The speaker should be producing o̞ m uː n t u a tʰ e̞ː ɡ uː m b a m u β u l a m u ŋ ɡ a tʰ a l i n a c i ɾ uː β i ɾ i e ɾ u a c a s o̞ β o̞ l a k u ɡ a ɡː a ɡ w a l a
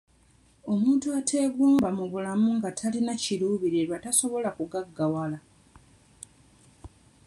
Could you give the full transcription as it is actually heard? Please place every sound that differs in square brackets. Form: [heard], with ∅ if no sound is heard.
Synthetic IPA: o̞ m uː n t u a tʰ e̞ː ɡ uː m b a m u β u l a m u ŋ ɡ a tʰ a l i n a c i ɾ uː β i ɾ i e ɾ [w] a [t] a s o̞ β o̞ l a k u ɡ a ɡː a [∅] w a l a